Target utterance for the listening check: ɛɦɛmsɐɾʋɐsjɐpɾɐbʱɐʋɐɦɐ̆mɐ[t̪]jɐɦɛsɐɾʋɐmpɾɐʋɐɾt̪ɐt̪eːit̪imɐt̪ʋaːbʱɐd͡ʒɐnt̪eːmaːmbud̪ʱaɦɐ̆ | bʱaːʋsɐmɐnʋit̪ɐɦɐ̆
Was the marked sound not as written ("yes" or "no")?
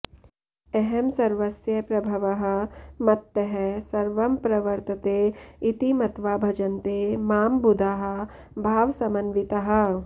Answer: no